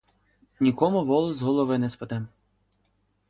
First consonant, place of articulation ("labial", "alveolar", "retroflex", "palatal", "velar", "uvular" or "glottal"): alveolar